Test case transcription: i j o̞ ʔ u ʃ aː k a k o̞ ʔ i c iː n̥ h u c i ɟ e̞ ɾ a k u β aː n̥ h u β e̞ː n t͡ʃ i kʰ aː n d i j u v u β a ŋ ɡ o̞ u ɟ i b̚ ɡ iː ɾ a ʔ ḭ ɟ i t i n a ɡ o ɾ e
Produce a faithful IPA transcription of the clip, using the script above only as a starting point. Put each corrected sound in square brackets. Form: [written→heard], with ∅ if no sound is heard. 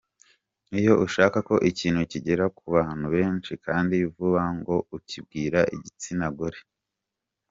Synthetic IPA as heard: i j o̞ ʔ u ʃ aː k a k o̞ ʔ i c iː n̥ h u c i ɟ e̞ ɾ a k u β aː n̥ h u β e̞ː n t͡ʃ i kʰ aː n d i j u v u β a ŋ ɡ o̞ u [ɟ→c] i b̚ ɡ iː ɾ a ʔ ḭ ɟ i [t→t͡s] i n a ɡ o ɾ e

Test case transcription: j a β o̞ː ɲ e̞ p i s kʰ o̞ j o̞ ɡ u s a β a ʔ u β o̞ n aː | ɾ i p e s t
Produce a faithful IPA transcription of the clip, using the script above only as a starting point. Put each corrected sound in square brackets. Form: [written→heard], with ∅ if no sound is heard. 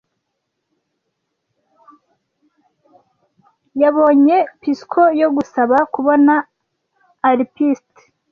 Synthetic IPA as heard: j a β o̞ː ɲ e̞ p i s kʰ o̞ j o̞ ɡ u s a β a [ʔ→k] u β o̞ n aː | ɾ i p [e→i] s t

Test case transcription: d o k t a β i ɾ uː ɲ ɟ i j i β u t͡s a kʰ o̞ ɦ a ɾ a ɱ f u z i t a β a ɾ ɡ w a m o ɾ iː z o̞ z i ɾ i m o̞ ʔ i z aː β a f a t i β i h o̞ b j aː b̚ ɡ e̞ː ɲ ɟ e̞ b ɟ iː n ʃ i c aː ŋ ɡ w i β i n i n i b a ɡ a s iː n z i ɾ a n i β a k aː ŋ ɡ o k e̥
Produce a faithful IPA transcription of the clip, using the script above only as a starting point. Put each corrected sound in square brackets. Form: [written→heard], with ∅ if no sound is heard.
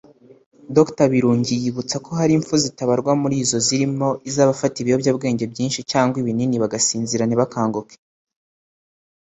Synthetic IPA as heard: d o k t a β i ɾ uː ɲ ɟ i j i β u t͡s a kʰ o̞ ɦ a ɾ [a→i] ɱ f u z i t a β a ɾ ɡ w a m [o→u] ɾ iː z o̞ z i ɾ i m o̞ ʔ i z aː β a f a t i β i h o̞ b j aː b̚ ɡ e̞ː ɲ ɟ e̞ b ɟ iː n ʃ i c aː ŋ ɡ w i β i n i n i [b→β] a ɡ a s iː n z i ɾ a n i β a k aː ŋ ɡ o k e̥

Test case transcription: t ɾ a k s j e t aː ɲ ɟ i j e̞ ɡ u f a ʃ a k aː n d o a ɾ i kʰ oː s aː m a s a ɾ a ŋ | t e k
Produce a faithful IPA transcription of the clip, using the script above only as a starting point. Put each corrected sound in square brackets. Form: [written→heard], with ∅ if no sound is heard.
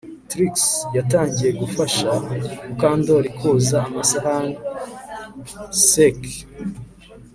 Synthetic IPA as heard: t ɾ [a→i] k s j [e→a] t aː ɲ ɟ i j e̞ ɡ u f a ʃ a k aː n d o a ɾ i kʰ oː [s→z] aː m a s a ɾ a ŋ | [t→s] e k

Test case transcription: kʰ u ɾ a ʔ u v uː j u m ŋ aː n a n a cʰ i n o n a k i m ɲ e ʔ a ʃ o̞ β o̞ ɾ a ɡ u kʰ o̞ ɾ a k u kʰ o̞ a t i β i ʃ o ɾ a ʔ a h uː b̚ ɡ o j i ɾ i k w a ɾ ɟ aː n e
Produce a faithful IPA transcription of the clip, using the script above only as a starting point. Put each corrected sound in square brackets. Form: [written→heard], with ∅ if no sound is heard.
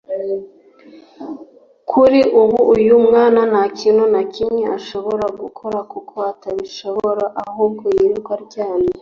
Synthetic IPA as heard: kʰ u ɾ [a→i] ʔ u [v→β] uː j u m ŋ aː n a n a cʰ i n o n a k i m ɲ e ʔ a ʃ o̞ β o̞ ɾ a ɡ u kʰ o̞ ɾ a k u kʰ o̞ a t [i→a] β i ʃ o ɾ a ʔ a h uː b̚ ɡ o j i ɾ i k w a ɾ ɟ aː n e

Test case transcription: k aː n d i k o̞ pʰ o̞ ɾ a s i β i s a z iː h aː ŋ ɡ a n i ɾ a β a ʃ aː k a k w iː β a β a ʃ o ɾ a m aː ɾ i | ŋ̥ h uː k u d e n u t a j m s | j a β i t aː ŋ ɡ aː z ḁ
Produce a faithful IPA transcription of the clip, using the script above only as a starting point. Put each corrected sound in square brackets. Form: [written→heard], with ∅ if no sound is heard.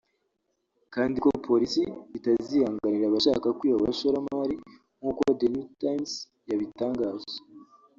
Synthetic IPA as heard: k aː n d i k o̞ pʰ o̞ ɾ [a→i] s i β i [s→t] a z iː h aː ŋ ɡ a n i ɾ a β a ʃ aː k a k w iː β a β a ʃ o ɾ a m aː ɾ i | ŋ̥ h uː k [u→o] d e n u t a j m s | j a β i t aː ŋ ɡ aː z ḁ

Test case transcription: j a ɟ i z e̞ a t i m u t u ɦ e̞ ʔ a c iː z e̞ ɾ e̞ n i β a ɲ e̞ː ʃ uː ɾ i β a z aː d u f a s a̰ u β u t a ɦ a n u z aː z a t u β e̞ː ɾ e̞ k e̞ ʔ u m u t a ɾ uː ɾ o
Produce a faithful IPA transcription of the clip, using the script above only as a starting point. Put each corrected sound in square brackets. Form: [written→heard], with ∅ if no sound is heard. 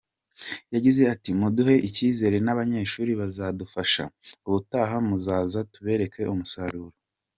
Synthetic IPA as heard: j a ɟ i z e̞ a t i m u [t→d] u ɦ e̞ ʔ [a→i] c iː z e̞ ɾ e̞ n [i→a] β a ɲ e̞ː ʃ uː ɾ i β a z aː d u f a [s→ʃ] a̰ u β u t a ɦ a [n→m] u z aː z a t u β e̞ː ɾ e̞ k e̞ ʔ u m u [t→s] a ɾ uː ɾ o

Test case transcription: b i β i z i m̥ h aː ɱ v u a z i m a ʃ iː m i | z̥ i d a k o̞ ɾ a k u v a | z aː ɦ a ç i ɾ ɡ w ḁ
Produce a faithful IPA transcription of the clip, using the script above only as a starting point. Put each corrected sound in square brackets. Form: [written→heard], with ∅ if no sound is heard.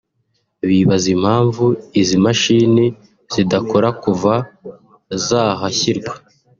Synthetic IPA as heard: [b→β] i β [i→a] z i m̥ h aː ɱ v u [a→i] z i m a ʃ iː [m→n] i | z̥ i d a k o̞ ɾ a k u v a | z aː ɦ a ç i ɾ ɡ w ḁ

